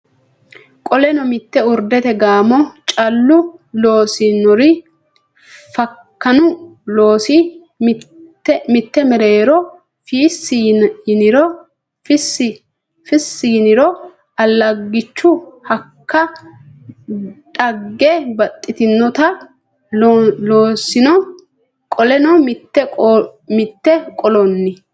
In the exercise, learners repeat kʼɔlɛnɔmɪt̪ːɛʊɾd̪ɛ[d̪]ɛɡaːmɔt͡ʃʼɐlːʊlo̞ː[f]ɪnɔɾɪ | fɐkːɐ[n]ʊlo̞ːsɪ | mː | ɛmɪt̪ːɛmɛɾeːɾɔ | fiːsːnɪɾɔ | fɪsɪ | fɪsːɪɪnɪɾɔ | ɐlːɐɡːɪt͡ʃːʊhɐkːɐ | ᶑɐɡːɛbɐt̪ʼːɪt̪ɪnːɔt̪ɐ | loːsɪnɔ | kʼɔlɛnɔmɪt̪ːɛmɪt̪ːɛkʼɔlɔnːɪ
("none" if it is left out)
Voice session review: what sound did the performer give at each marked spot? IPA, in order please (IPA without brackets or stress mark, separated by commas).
t̪, s, n